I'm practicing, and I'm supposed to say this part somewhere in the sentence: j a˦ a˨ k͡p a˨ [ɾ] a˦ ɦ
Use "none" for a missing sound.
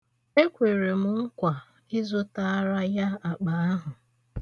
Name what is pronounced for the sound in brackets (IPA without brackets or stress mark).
none